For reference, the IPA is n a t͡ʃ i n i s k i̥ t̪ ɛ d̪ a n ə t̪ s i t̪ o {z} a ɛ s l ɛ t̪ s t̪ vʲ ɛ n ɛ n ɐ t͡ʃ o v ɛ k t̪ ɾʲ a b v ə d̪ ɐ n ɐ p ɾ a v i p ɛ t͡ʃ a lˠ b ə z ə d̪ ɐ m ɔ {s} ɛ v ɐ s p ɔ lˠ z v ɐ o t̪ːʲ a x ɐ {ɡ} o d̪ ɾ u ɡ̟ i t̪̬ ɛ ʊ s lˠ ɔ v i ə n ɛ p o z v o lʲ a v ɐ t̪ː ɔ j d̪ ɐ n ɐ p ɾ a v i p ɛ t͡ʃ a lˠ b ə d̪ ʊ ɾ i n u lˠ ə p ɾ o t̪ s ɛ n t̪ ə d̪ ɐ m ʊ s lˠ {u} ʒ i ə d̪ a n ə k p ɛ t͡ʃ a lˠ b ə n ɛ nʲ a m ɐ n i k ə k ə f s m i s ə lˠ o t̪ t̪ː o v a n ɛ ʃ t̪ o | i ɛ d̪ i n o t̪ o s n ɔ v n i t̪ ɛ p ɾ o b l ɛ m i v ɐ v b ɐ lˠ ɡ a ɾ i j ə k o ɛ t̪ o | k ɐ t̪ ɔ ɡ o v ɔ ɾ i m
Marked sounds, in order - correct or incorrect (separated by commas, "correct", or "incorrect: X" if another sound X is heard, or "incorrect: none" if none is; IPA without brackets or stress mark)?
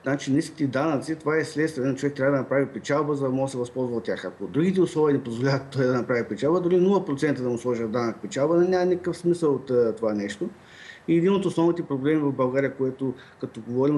incorrect: v, correct, incorrect: k, incorrect: ɔ